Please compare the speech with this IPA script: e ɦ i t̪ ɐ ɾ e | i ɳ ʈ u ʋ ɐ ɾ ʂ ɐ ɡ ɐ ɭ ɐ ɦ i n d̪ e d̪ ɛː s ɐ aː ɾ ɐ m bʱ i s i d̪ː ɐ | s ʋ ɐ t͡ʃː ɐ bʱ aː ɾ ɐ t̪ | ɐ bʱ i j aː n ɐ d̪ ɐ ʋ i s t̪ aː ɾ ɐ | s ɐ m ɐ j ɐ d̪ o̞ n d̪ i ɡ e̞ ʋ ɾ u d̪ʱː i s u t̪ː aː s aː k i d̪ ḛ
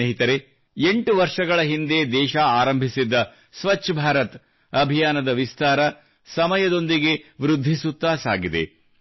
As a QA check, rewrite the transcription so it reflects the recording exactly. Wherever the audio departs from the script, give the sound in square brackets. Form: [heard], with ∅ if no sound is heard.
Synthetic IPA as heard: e ɦ i t̪ ɐ ɾ e | [e] ɳ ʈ u ʋ ɐ ɾ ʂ ɐ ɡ ɐ ɭ ɐ ɦ i n d̪ e d̪ ɛː [ʃ] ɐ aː ɾ ɐ m bʱ i s i d̪ː ɐ | s ʋ ɐ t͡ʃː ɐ bʱ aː ɾ ɐ t̪ | ɐ bʱ i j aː n ɐ d̪ ɐ ʋ i s t̪ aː ɾ ɐ | s ɐ m ɐ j ɐ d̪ o̞ n d̪ i ɡ e̞ ʋ ɾ u d̪ʱː i s u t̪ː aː s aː [ɡ] i d̪ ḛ